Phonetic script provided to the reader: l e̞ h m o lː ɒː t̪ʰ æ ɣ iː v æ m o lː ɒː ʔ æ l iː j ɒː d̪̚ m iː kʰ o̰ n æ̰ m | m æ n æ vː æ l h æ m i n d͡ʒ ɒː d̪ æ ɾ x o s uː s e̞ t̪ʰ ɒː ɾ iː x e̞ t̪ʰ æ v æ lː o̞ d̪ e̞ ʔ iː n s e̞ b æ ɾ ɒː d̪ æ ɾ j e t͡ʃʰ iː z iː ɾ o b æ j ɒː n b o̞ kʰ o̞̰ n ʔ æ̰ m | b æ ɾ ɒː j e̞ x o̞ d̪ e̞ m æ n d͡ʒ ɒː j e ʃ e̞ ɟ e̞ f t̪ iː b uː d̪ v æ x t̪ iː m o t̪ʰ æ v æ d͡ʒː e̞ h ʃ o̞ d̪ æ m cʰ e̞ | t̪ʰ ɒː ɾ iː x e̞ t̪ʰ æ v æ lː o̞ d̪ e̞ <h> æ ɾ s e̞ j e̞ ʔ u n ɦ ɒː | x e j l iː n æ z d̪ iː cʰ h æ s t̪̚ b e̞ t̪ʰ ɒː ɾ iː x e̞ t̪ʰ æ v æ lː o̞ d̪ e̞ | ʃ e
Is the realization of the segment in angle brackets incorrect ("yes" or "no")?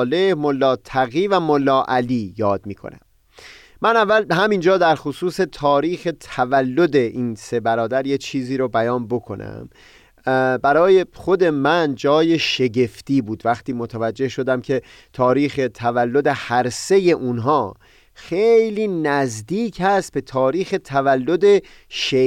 no